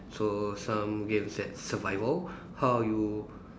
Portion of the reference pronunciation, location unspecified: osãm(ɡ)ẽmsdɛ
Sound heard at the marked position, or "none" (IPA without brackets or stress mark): ɡ